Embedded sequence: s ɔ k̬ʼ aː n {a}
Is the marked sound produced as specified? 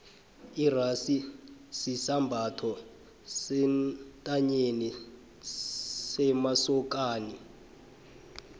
no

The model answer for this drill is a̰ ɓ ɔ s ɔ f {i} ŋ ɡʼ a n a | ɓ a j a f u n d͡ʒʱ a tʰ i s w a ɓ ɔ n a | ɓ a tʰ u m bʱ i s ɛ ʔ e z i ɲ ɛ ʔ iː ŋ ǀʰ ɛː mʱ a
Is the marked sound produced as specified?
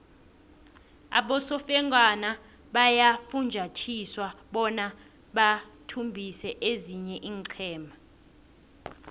no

